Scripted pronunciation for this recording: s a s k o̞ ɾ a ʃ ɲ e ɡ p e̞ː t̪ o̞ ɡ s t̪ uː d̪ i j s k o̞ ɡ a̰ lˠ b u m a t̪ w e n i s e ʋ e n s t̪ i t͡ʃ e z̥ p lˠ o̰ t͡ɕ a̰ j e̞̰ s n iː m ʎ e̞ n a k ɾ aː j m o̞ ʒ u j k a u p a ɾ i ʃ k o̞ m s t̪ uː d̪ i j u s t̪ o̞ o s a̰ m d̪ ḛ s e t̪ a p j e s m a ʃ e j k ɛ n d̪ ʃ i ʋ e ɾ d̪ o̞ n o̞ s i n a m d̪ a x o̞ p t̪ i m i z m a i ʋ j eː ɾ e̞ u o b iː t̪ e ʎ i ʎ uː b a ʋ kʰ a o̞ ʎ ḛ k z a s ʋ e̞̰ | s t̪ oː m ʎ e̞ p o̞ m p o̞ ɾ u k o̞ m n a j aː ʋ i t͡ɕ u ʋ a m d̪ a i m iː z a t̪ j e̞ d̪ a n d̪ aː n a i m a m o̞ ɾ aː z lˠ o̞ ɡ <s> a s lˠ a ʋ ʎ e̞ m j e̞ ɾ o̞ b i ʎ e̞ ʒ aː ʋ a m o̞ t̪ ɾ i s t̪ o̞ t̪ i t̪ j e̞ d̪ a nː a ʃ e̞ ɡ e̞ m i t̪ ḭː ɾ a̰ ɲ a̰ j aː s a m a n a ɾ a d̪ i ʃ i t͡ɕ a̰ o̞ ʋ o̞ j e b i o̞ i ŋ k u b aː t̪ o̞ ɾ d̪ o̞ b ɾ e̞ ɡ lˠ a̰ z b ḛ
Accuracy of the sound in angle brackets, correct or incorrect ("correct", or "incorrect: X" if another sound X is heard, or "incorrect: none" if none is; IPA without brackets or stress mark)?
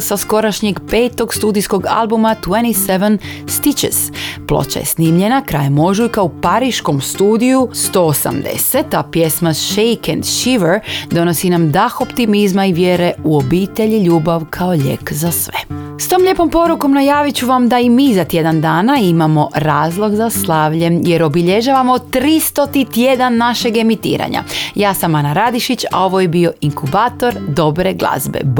incorrect: z